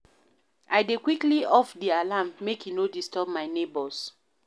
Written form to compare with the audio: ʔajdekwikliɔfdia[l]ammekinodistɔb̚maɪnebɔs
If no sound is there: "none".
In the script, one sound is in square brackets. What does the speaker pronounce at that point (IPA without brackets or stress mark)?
l